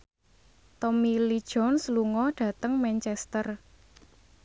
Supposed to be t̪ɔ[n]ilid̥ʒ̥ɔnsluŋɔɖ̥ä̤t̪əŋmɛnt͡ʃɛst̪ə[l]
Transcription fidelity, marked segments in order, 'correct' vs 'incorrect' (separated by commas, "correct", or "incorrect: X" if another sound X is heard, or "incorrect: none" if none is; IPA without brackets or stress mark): incorrect: m, incorrect: r